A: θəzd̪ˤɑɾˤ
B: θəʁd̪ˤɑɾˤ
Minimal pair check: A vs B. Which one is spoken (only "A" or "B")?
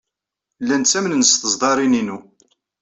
A